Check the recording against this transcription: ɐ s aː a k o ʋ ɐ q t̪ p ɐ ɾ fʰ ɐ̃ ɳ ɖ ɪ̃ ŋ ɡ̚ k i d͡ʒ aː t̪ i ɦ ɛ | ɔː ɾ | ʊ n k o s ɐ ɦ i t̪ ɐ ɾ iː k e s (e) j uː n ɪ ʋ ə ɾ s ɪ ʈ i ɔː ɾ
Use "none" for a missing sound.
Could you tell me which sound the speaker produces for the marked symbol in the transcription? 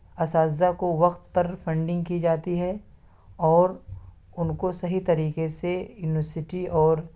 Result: e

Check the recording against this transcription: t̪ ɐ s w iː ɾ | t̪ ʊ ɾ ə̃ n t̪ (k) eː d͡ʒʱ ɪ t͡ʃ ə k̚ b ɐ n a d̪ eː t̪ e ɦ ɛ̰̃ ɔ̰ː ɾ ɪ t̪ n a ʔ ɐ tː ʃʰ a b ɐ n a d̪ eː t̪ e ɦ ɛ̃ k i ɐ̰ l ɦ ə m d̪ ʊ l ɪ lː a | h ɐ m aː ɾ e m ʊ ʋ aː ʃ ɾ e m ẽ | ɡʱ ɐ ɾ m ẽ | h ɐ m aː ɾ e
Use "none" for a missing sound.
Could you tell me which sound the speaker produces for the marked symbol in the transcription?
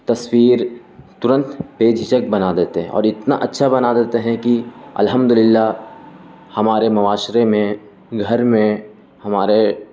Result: p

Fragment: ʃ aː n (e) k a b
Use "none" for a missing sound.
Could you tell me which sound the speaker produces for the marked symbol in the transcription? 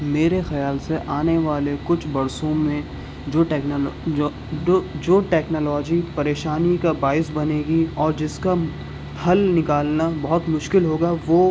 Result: i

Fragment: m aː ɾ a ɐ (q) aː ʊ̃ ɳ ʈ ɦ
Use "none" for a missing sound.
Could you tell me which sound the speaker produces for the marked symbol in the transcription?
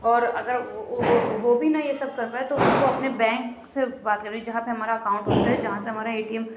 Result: k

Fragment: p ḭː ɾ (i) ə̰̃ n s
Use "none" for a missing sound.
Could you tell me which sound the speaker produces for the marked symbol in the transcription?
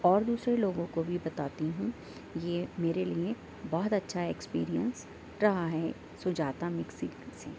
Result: i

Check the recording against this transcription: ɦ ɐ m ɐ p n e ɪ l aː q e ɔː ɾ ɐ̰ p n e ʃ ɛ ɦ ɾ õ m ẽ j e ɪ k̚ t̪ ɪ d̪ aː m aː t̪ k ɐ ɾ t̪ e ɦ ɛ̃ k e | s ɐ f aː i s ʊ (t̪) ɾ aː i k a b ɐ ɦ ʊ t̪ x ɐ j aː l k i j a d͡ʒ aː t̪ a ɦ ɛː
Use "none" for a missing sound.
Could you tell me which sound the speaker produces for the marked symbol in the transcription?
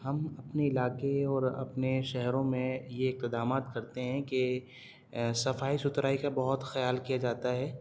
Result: t̪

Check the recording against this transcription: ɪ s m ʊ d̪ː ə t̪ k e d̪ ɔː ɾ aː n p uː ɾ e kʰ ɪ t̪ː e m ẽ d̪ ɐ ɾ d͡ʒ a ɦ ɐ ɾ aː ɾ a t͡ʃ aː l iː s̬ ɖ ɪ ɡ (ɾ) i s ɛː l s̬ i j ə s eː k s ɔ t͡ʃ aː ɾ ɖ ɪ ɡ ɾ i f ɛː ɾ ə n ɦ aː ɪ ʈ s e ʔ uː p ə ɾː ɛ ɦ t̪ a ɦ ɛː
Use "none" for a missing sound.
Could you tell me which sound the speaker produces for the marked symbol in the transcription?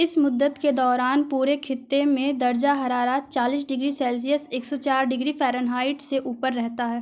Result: ɾ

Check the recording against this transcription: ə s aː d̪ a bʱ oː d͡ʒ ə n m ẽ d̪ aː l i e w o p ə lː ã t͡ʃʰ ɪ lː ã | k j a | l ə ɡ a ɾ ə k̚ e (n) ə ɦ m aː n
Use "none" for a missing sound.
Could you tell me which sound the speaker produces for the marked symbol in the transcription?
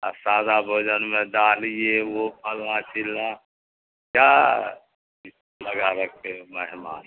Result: m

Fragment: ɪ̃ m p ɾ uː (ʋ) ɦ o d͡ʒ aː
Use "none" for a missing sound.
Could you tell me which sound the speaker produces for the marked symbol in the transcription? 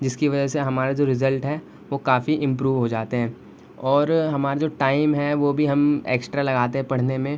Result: ʋ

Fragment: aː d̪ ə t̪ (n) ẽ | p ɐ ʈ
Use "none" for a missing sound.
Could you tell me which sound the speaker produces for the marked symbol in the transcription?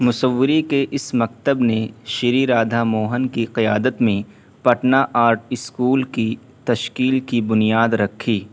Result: m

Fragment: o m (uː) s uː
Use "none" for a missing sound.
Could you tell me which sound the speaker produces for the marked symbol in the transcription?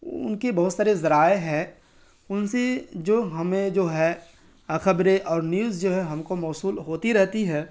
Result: ɔː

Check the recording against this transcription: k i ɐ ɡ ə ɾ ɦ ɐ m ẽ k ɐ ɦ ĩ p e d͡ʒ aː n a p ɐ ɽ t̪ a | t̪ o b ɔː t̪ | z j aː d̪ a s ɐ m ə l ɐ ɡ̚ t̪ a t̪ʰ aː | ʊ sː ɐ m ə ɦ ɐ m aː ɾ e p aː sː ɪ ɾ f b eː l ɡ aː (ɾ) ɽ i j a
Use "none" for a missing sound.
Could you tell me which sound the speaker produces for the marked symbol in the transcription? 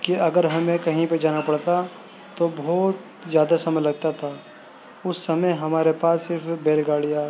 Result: none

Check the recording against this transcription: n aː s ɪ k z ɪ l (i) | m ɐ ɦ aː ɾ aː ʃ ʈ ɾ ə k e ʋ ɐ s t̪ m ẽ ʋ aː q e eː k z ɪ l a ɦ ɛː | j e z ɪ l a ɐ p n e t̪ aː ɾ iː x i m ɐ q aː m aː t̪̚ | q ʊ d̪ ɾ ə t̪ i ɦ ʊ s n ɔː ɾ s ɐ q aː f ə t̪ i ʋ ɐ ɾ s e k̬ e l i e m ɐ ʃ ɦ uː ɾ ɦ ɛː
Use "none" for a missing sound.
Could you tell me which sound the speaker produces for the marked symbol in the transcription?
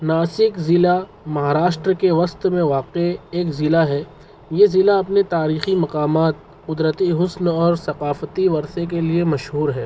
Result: a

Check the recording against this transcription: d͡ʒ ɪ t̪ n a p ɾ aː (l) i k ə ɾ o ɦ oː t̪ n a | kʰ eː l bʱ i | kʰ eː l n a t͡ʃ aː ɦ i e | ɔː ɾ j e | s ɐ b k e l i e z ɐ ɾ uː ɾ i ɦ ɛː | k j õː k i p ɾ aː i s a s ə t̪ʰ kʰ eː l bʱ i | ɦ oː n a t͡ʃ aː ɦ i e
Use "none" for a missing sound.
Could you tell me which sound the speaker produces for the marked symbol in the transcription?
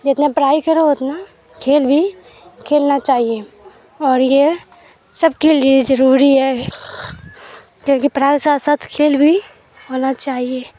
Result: none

